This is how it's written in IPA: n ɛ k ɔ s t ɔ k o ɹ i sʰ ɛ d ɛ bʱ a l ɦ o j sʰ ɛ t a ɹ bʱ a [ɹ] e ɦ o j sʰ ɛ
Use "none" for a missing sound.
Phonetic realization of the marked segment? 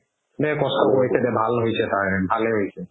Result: l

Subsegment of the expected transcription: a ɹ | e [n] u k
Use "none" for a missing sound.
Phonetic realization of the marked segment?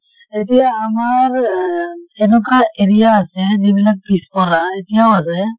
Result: n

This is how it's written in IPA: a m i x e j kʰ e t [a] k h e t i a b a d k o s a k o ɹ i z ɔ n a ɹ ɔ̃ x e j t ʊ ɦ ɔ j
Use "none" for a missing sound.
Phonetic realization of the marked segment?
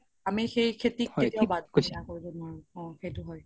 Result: i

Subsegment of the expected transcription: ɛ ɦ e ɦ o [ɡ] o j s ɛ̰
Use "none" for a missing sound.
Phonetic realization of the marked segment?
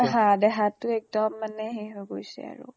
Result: ɡ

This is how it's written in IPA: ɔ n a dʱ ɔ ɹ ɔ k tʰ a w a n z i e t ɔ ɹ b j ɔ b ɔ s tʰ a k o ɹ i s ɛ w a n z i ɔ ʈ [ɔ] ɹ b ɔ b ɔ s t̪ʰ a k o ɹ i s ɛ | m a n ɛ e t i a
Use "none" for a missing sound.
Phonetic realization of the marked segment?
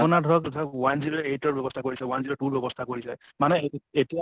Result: u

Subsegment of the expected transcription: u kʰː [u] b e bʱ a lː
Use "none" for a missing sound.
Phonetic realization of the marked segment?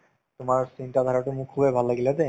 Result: u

